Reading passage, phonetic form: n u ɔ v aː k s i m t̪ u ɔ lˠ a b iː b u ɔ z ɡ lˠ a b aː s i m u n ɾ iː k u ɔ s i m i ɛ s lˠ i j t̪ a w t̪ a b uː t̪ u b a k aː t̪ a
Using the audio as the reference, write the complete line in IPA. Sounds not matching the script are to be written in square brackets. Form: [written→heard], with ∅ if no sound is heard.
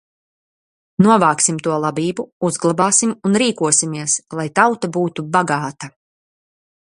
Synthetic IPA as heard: n u ɔ v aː k s i m t̪ u ɔ lˠ a b iː b u [ɔ→u] z ɡ lˠ a b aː s i m u n ɾ iː k u ɔ s i m i ɛ s lˠ [i→a] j t̪ a w t̪ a b uː t̪ u b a [k→ɡ] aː t̪ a